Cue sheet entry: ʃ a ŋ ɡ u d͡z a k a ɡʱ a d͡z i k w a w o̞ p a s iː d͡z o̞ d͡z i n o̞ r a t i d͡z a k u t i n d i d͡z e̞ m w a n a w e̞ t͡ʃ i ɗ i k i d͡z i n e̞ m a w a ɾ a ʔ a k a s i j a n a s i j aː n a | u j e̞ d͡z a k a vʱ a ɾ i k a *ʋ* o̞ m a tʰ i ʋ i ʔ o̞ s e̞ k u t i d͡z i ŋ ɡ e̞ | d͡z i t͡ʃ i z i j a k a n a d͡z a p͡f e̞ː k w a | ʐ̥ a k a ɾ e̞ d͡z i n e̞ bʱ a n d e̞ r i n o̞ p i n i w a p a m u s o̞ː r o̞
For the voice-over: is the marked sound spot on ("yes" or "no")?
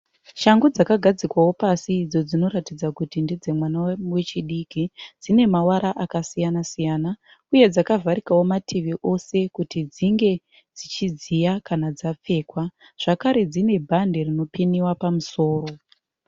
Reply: no